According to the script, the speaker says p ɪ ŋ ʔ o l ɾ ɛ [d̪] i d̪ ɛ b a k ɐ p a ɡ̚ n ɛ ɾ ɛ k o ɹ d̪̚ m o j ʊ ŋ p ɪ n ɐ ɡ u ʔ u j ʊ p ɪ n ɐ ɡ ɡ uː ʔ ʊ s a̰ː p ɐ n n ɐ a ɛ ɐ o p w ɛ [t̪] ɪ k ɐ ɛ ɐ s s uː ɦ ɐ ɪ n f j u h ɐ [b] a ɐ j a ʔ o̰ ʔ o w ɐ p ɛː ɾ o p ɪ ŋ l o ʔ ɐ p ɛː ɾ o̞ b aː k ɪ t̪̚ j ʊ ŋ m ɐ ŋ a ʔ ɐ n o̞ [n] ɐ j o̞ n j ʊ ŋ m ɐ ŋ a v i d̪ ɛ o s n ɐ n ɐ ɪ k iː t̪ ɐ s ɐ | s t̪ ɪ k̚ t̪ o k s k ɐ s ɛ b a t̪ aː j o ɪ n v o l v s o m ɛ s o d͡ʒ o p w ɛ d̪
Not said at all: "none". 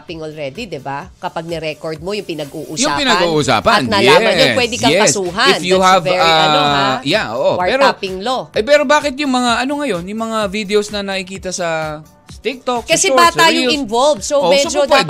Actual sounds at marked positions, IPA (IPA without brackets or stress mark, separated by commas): d̪, d̪, v, ŋ